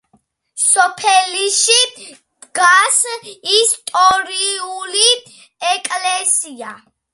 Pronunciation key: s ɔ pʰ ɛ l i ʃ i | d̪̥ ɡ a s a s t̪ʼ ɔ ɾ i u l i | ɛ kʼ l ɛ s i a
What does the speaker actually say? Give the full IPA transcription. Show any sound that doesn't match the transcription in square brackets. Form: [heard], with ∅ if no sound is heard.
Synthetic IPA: s ɔ pʰ ɛ l i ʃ i | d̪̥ ɡ a s [i] s t̪ʼ ɔ ɾ i u l i | ɛ kʼ l ɛ s i a